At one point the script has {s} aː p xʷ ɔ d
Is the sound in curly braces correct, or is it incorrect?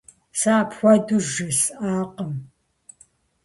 correct